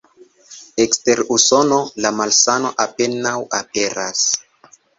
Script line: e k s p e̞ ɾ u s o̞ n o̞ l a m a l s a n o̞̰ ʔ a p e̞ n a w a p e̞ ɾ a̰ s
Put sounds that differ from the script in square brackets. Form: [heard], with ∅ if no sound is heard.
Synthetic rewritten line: e k s [t] e̞ ɾ u s o̞ n o̞ l a m a l s a n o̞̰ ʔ a p e̞ n a w a p e̞ ɾ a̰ s